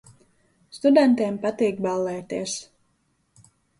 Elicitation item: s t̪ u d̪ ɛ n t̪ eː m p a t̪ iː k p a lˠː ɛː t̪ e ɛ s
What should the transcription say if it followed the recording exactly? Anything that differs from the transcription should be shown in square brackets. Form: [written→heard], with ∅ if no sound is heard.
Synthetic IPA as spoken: s t̪ u d̪ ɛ n t̪ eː m p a t̪ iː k [p→b] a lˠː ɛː t̪ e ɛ s